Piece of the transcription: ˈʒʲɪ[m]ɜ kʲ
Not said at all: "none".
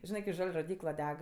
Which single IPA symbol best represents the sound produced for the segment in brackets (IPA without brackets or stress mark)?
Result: n